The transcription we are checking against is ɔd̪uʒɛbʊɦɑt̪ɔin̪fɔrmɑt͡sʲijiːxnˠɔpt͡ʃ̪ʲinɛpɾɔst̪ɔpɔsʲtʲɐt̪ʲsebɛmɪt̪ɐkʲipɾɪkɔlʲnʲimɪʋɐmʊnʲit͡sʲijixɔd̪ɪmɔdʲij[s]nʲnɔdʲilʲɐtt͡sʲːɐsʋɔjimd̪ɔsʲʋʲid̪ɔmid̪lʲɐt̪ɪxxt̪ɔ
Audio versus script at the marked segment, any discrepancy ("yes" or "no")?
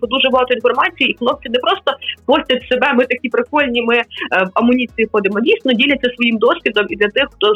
no